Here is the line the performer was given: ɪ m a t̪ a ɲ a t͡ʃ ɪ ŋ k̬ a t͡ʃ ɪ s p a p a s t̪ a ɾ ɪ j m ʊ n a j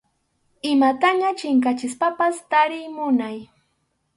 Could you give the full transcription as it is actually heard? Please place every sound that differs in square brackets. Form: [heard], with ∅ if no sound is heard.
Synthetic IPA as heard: ɪ m a t̪ a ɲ a t͡ʃ ɪ ŋ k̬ a t͡ʃ ɪ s p a p a s t̪ a ɾ ɪ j m ʊ n a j